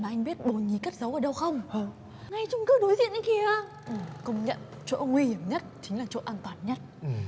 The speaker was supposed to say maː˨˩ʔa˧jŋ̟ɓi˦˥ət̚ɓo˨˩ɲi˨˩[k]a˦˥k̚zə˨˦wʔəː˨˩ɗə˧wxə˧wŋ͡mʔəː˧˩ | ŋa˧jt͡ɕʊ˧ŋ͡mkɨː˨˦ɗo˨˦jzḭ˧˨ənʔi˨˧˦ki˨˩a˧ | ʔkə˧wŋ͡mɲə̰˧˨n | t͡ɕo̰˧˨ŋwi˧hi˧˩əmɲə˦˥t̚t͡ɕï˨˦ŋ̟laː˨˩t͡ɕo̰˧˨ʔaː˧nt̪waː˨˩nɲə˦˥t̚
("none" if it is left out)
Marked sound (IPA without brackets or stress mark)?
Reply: k